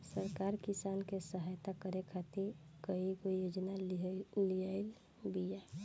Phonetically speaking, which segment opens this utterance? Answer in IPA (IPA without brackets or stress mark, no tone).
s